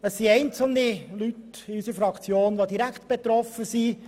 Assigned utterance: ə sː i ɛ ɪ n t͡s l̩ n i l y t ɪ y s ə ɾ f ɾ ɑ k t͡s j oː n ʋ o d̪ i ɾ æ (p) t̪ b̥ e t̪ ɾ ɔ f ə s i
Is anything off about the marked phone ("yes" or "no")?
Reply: yes